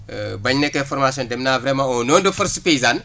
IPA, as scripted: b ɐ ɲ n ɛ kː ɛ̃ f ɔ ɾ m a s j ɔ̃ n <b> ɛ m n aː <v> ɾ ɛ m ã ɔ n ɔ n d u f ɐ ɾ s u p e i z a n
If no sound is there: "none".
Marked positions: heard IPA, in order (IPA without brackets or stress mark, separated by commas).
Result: d, v